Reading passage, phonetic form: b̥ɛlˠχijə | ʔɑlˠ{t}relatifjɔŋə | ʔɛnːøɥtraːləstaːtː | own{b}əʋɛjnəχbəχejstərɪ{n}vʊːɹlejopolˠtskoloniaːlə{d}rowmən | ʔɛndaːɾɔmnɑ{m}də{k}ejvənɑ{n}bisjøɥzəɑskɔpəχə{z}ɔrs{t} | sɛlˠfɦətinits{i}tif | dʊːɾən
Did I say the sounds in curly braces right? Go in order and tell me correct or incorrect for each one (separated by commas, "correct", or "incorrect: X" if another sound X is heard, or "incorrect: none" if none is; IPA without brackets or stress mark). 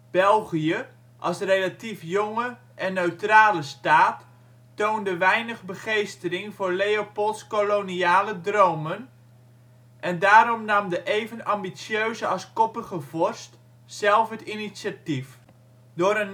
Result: incorrect: s, incorrect: d, incorrect: ŋ, correct, correct, incorrect: ʔ, incorrect: m, incorrect: v, correct, incorrect: a